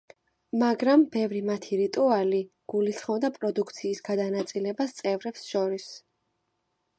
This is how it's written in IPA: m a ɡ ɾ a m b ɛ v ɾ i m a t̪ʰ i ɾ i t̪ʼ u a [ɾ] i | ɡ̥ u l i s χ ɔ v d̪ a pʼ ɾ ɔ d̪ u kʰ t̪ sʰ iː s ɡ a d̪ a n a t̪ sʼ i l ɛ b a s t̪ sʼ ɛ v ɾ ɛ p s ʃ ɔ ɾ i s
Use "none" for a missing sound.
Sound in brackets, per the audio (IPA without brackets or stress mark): l